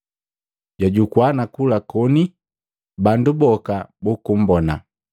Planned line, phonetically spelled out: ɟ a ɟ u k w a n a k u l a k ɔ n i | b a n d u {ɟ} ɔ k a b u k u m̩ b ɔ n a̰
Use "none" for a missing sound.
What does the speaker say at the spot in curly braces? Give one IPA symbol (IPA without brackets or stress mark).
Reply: b